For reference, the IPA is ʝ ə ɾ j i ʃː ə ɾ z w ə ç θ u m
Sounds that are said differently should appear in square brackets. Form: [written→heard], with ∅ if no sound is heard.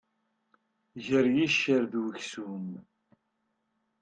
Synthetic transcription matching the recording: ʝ ə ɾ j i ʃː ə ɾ [z→ð] w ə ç [θ→s] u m